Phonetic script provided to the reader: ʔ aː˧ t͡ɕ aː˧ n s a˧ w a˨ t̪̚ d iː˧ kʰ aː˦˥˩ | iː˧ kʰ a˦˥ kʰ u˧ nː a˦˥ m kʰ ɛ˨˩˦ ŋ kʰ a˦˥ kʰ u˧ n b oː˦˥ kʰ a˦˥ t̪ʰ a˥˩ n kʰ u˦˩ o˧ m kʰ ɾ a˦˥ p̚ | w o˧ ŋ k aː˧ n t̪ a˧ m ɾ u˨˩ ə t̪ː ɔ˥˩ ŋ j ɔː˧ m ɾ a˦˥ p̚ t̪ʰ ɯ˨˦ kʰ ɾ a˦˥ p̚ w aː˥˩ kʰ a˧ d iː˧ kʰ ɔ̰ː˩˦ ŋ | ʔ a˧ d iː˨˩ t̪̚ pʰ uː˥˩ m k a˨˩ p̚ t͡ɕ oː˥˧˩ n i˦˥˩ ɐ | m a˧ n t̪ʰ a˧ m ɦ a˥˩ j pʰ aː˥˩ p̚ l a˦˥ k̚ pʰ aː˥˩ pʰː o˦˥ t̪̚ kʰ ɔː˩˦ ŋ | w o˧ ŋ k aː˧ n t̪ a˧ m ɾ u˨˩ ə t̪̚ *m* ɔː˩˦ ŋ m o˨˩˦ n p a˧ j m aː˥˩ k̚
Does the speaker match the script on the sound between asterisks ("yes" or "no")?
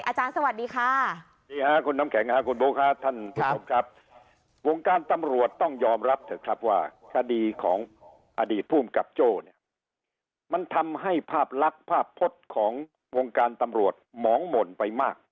yes